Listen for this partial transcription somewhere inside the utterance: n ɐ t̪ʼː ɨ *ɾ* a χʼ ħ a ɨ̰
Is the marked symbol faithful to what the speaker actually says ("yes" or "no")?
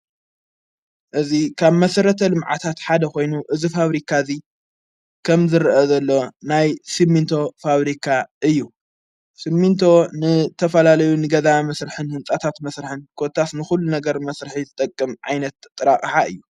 yes